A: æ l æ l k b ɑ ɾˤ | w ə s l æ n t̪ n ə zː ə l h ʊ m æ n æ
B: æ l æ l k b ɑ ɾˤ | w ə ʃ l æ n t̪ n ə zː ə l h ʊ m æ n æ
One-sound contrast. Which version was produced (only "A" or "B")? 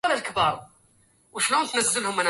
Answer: B